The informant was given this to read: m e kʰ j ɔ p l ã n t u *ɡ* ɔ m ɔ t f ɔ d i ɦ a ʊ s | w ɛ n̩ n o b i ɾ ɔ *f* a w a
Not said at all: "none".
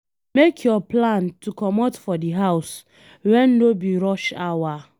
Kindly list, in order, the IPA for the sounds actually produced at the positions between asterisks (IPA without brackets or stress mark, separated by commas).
k, ʃ